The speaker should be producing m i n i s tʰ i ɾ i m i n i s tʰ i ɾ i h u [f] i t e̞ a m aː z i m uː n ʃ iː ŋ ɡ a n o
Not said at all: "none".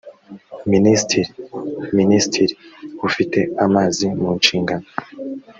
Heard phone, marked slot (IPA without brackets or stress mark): f